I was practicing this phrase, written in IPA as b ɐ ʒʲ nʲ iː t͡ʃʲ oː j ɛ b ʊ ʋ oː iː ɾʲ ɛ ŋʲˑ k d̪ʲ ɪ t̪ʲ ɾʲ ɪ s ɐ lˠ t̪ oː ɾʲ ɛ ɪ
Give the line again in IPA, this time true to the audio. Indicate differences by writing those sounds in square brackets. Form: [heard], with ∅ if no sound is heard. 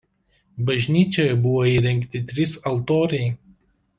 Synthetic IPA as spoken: b ɐ ʒʲ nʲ iː t͡ʃʲ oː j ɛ b ʊ ʋ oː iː ɾʲ ɛ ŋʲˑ k [t̪ʲ] ɪ t̪ʲ ɾʲ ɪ s ɐ lˠ t̪ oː ɾʲ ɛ ɪ